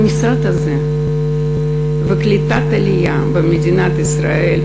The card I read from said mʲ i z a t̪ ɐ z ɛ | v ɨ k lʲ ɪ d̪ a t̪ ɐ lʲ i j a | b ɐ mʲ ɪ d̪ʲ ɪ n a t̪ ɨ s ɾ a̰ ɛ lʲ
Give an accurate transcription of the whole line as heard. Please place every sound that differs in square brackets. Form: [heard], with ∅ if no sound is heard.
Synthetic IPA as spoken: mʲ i [s] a t̪ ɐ z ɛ | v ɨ k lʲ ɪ [t̪] a t̪ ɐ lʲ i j a | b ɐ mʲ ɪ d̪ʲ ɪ n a t̪ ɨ s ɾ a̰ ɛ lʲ